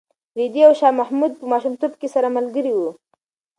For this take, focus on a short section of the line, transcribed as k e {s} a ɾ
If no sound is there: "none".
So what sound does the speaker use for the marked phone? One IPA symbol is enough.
s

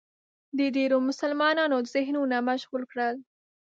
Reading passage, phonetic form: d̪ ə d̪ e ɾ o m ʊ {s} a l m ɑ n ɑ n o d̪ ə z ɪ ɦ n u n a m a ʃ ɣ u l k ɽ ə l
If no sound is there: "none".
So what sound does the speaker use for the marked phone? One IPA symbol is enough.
s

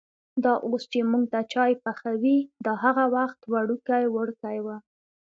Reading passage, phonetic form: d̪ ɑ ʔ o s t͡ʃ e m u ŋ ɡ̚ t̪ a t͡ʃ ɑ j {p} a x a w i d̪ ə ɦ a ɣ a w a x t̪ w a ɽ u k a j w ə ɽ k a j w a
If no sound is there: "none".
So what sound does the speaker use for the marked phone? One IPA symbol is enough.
p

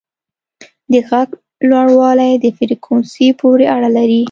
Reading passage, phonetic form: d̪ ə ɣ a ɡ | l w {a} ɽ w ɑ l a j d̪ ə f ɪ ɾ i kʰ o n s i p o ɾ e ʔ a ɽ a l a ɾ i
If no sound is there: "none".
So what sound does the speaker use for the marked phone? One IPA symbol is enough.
a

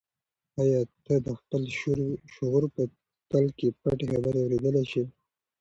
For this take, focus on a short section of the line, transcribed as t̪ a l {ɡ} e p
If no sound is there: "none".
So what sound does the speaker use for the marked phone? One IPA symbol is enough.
k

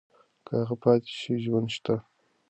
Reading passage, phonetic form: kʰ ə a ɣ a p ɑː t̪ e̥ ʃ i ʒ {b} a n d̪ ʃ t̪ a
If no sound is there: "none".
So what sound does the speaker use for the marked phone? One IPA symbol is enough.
w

